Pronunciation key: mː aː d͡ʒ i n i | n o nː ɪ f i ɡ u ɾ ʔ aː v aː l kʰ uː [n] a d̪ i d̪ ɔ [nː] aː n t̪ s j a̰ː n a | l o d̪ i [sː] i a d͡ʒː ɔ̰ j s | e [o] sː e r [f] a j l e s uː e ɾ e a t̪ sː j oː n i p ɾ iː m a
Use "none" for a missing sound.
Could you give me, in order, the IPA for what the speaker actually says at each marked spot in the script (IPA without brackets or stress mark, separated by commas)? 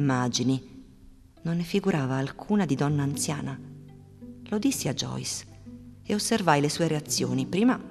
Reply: n, nː, sː, o, v